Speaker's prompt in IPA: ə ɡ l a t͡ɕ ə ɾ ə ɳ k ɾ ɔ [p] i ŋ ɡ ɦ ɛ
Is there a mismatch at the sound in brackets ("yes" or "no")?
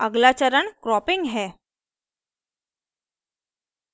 no